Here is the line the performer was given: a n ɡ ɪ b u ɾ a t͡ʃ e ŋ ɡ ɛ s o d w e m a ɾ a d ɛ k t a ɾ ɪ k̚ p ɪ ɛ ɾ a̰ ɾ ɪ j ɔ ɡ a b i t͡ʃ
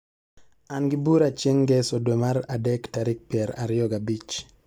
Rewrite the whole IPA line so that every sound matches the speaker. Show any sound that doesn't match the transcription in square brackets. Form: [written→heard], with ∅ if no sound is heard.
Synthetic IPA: a n ɡ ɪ b u ɾ a t͡ʃ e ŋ ɡ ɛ s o d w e m a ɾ a d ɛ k t a ɾ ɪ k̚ p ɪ ɛ ɾ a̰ ɾ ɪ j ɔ ɡ a b i t͡ʃ